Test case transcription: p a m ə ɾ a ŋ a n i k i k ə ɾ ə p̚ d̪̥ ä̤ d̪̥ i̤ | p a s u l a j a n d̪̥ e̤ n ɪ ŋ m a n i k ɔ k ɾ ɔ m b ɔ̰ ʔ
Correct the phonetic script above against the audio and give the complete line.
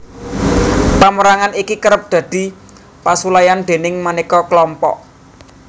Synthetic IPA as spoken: p a m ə ɾ a ŋ a n i k i k ə ɾ ə p̚ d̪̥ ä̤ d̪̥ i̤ | p a s u l a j a n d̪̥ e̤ n ɪ ŋ m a n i k ɔ k l ɔ m p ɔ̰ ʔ